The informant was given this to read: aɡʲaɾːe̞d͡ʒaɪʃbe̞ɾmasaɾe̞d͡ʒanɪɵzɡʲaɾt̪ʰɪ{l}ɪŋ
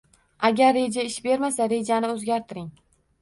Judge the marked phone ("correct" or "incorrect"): incorrect